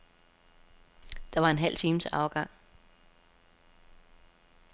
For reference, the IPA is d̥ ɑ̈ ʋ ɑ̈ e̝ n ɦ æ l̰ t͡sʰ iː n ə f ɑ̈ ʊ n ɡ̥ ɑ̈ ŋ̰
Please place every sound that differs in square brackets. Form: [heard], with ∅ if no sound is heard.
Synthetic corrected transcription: d̥ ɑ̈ ʋ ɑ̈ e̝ n ɦ æ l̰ t͡sʰ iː [m] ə [s] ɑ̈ ʊ [∅] ɡ̥ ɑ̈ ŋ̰